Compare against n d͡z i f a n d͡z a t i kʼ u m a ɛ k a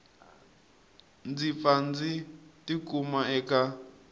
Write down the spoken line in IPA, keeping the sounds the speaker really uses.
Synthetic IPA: n d͡z i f a n d͡z i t i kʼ u m a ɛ k a